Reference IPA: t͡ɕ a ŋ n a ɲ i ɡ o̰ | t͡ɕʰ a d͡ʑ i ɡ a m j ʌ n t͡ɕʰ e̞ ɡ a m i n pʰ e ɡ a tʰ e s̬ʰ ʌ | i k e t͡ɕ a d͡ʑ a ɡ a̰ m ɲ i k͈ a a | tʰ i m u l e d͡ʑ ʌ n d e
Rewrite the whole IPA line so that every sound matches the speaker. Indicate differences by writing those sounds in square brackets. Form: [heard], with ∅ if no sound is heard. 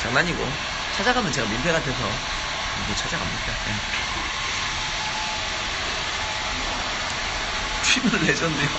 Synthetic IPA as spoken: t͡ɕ a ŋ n a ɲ i ɡ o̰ | t͡ɕʰ a d͡ʑ [a] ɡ a m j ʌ n [t͡ɕ] e̞ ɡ a m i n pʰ e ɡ a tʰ e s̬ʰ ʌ | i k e [t͡ɕʰ] a d͡ʑ a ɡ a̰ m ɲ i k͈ a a | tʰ i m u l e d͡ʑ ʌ n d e